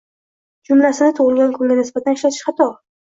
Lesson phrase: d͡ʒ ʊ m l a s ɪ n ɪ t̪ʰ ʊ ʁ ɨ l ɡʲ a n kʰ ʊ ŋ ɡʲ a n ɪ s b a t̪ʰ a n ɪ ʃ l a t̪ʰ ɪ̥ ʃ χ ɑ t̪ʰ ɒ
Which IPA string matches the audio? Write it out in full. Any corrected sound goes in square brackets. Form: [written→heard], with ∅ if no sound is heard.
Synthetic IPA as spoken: d͡ʒ ʊ m l a s ɪ n ɪ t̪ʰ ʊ ʁ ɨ l ɡʲ a n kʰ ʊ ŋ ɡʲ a n ɪ s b a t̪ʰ a n ɪ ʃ l a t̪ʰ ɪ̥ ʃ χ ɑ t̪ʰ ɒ